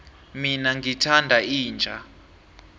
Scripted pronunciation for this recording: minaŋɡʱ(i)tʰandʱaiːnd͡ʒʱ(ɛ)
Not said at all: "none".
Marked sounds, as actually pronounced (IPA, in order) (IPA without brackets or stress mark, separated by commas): i, a